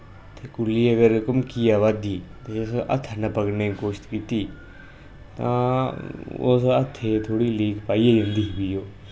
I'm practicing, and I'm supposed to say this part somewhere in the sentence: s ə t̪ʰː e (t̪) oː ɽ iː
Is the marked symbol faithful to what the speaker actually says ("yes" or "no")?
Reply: no